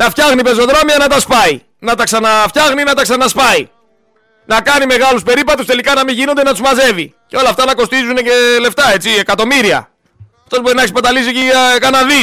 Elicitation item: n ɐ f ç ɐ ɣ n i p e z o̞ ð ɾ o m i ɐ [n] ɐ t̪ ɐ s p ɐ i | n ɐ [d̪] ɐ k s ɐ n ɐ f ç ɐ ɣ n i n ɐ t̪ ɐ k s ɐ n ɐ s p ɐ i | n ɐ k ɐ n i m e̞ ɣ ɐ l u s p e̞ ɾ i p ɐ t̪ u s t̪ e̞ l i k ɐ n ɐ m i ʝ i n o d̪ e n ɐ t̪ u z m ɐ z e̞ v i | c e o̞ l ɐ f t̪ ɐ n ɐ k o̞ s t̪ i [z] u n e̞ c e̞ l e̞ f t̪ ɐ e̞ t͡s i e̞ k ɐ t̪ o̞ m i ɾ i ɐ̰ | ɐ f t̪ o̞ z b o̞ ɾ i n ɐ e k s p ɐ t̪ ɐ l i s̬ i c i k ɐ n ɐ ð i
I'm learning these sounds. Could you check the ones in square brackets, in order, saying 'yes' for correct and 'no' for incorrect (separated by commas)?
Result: yes, no, yes